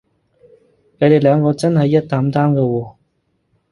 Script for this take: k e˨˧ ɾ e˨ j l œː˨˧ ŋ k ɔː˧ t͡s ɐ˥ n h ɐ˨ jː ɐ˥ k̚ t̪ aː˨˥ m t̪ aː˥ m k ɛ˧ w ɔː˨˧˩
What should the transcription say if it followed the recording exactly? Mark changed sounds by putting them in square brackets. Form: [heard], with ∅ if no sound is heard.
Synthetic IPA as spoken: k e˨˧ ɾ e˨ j l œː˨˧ ŋ k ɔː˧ t͡s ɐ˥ n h ɐ˨ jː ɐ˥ [t̚] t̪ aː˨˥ m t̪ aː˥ m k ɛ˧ w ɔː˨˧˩